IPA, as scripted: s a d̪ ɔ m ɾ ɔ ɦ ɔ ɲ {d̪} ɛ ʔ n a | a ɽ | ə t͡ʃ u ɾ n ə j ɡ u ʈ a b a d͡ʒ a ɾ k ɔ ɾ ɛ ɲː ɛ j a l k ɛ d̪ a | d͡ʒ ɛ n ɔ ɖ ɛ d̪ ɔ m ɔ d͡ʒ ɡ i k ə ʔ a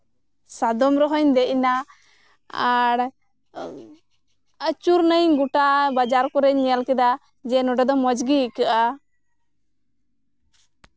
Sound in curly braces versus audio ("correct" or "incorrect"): correct